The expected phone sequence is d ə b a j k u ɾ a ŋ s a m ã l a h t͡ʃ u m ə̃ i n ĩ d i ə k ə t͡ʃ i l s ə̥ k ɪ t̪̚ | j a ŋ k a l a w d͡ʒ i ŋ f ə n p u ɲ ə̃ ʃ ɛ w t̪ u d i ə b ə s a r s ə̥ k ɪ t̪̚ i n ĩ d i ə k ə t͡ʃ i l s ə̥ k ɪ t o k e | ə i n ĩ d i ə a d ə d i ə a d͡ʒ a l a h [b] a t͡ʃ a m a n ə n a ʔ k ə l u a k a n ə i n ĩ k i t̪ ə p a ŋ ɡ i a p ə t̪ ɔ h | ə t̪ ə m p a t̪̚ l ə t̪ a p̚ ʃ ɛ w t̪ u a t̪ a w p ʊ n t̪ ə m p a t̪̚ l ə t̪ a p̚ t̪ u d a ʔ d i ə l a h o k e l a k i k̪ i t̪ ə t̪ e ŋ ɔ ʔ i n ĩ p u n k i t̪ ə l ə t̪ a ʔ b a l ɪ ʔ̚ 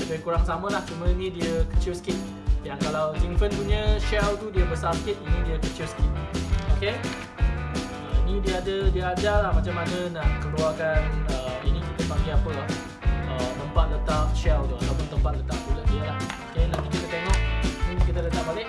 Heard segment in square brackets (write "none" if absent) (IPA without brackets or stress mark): m